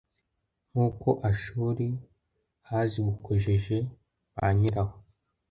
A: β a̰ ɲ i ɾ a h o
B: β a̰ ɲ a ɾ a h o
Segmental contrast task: A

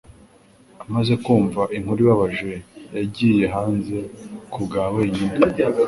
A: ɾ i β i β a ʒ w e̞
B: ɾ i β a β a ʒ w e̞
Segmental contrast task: B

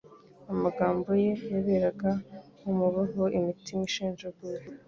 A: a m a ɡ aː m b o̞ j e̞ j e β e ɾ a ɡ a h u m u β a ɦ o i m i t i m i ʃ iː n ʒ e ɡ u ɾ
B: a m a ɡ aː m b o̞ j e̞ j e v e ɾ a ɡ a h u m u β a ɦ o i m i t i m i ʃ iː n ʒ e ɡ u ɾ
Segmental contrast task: A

